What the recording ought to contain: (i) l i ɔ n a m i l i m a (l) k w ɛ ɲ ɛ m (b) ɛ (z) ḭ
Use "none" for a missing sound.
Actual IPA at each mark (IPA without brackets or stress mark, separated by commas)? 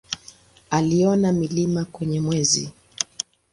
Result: a, none, w, z